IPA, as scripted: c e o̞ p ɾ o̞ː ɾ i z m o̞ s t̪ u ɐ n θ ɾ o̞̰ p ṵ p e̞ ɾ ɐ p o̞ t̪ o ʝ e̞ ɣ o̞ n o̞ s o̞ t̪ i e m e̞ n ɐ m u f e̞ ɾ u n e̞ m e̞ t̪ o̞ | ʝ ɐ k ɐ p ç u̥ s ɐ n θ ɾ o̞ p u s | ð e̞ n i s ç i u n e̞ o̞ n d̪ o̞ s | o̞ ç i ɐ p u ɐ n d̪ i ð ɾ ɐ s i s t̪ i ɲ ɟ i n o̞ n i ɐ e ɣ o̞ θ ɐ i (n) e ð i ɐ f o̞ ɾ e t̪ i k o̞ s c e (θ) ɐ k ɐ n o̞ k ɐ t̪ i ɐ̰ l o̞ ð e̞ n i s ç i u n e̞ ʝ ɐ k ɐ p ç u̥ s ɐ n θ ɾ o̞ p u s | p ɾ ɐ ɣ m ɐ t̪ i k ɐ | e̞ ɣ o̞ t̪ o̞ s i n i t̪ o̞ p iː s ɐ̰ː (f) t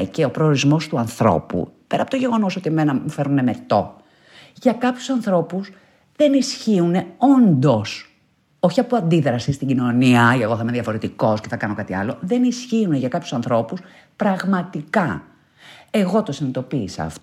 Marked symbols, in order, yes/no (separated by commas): no, yes, yes